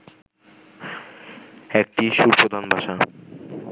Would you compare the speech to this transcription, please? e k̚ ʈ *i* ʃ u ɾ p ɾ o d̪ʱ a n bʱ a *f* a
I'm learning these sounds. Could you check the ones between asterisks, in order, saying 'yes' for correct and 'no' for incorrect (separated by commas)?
yes, no